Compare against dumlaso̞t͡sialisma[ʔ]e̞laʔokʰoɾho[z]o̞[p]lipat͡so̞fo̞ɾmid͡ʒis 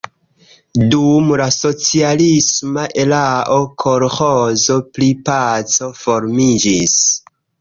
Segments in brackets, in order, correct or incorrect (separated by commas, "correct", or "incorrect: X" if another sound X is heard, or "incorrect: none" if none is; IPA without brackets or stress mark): correct, correct, correct